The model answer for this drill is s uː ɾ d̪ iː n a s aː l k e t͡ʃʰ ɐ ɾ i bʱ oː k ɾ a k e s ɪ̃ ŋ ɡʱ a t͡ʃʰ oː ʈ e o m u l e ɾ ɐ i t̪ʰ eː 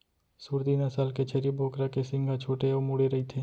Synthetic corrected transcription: s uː ɾ d̪ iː n a s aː l k e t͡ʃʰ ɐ ɾ i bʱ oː k ɾ a k e s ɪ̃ ŋ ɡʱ a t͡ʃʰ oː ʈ e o m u ɽ e ɾ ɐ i t̪ʰ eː